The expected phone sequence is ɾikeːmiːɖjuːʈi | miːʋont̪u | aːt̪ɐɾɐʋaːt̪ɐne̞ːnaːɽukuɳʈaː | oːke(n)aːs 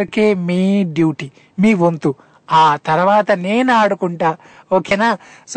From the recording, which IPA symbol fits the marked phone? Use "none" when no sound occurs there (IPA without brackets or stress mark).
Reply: n